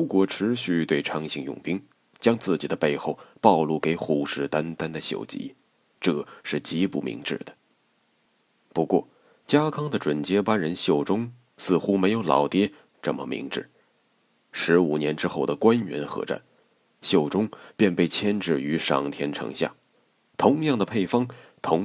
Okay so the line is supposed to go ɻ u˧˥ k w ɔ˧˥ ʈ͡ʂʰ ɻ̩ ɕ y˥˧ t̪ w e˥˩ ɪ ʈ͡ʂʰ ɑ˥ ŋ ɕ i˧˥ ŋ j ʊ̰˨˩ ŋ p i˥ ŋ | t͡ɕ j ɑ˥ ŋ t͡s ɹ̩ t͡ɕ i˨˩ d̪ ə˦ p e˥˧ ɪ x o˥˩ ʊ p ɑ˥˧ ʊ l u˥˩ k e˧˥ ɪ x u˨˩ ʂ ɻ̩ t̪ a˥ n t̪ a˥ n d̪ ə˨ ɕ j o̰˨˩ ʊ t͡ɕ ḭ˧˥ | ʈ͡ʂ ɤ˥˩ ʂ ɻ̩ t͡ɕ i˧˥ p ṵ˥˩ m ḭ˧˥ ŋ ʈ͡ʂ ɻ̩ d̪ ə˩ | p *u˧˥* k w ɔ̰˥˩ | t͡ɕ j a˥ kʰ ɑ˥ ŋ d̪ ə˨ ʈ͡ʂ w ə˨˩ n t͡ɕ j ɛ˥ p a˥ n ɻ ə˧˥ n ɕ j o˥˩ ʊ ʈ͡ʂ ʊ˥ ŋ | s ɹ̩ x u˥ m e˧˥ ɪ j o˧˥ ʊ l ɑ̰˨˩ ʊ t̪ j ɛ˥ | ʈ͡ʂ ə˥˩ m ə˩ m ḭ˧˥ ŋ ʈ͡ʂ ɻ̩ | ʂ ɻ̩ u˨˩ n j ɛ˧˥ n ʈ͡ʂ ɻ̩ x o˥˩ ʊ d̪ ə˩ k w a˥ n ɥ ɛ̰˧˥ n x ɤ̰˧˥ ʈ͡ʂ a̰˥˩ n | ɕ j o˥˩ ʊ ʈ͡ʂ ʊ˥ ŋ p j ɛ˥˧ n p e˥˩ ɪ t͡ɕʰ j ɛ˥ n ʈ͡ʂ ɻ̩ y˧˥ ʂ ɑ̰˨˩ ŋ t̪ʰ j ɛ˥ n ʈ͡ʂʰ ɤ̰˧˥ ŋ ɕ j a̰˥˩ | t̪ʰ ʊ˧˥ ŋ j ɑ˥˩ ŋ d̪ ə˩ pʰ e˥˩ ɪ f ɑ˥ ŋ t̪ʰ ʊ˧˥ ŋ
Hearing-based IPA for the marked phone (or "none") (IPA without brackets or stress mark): u˧˥